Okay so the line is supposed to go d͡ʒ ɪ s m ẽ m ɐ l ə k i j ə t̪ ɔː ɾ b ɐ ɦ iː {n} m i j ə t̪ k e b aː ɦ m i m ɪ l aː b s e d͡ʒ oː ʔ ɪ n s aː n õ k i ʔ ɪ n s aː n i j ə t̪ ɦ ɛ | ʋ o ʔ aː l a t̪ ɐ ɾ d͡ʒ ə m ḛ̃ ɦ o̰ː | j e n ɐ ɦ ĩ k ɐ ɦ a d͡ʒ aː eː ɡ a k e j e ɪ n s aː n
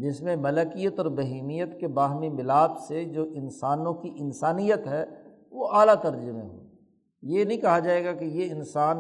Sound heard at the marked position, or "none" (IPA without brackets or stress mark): none